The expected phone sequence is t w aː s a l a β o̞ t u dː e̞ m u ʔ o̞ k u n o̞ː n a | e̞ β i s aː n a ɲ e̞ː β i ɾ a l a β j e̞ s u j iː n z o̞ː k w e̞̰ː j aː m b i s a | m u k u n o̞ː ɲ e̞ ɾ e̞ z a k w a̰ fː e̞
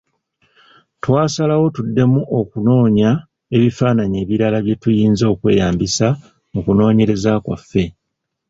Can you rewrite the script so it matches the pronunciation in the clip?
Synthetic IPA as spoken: t w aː s a l a w o̞ t u dː e̞ m u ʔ o̞ k u n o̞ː ɲ a | e̞ β i f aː n a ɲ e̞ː β i ɾ a l a β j e̞ t u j iː n z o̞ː k w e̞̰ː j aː m b i s a | m u k u n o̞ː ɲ e̞ ɾ e̞ z a k w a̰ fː e̞